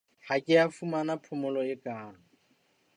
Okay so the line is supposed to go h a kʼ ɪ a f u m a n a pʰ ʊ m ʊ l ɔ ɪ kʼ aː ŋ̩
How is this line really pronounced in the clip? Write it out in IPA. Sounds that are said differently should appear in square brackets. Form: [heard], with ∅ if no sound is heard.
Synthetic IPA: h a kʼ ɪ a f u m a n a pʰ ʊ m ʊ l ɔ ɪ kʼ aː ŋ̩